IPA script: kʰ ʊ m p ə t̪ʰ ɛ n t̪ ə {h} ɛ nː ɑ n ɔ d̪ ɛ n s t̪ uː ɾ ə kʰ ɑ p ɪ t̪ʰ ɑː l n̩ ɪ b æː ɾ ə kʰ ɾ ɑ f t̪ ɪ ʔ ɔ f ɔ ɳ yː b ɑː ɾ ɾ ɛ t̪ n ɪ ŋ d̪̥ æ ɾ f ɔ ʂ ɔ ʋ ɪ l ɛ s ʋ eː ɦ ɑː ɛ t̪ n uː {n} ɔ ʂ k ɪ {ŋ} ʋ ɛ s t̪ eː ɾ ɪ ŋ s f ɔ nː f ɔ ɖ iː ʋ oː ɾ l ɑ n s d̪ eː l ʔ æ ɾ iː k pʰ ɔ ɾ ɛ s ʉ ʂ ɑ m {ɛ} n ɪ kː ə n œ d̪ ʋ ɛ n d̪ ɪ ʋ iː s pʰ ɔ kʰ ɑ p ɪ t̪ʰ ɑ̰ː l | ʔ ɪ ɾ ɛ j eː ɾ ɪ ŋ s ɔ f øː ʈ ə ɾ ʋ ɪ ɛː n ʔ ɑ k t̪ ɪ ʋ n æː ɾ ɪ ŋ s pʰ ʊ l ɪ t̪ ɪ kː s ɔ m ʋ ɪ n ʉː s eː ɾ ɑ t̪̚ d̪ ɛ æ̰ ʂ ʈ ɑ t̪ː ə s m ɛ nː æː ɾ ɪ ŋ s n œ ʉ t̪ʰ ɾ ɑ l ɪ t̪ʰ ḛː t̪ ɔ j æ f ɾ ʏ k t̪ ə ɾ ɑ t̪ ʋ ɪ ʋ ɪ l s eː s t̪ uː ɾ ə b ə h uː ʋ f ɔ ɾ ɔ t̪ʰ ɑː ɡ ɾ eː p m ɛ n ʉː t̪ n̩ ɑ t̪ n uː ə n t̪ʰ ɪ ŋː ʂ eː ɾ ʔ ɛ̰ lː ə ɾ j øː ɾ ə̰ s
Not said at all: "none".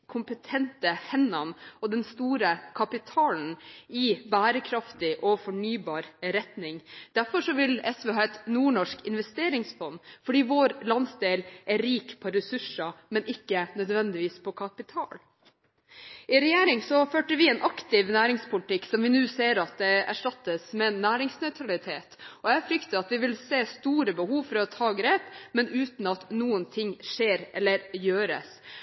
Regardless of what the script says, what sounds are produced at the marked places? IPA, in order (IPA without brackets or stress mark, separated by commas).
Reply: h, ɳ, n, ɛ